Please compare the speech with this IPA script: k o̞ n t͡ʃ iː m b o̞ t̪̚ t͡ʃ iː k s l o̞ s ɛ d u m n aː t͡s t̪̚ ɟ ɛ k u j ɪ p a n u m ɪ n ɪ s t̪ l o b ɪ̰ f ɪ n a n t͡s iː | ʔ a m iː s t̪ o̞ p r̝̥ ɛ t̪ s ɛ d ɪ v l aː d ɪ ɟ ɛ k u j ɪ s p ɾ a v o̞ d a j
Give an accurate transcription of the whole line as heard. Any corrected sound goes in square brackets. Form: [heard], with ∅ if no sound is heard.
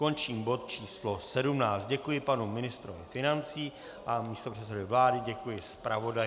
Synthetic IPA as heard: k o̞ n t͡ʃ iː m b o̞ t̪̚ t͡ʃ iː [∅] s l o̞ s ɛ d u m n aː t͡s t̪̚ ɟ ɛ k u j ɪ p a n u m ɪ n ɪ s t̪ [ɾ] o [v] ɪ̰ f ɪ n a n t͡s iː | ʔ a m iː s t̪ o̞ p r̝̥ ɛ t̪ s ɛ d ɪ v l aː d ɪ ɟ ɛ k u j ɪ s p ɾ a v o̞ d a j